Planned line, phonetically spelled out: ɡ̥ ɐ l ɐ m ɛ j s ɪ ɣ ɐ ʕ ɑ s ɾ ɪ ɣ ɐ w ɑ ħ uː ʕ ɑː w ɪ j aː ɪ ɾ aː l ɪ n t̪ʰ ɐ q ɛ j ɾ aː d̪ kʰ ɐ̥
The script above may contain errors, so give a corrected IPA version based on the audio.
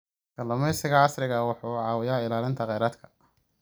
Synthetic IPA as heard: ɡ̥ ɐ l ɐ m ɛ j s ɪ ɣ ɐ ʕ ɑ s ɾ ɪ ɣ ɐ w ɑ ħ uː ʕ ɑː w ɪ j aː ɪ l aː l ɪ n t̪ʰ ɐ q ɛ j ɾ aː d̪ kʰ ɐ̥